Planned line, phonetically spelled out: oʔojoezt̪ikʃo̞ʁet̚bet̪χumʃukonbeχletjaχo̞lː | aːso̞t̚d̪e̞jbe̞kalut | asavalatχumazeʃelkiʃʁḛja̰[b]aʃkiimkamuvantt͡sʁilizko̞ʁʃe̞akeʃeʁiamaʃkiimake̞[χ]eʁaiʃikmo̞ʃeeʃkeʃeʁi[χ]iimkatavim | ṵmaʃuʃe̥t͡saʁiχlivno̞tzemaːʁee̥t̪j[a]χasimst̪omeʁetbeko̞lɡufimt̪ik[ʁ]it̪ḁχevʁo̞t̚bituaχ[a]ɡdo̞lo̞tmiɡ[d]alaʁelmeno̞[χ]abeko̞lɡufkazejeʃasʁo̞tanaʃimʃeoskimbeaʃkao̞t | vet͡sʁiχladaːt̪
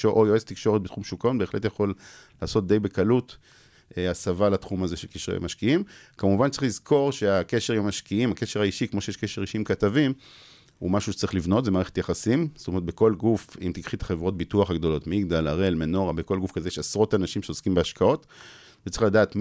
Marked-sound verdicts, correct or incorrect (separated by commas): incorrect, incorrect, incorrect, correct, incorrect, correct, correct, incorrect